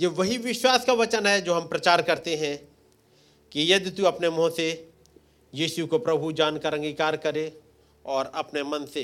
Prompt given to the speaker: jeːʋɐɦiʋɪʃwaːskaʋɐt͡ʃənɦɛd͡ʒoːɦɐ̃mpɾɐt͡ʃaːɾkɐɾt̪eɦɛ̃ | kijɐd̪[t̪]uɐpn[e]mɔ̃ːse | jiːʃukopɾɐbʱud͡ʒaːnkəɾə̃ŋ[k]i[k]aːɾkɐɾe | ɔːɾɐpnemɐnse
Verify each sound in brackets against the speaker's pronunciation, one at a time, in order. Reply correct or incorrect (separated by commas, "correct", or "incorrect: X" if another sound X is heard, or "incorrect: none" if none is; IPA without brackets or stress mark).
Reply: correct, correct, incorrect: ɡ, correct